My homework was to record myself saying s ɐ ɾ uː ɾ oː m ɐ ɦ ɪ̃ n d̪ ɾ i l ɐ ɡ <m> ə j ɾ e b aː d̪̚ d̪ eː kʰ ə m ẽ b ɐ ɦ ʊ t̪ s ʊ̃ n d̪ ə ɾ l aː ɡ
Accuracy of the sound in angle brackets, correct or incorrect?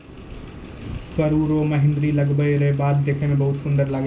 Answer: incorrect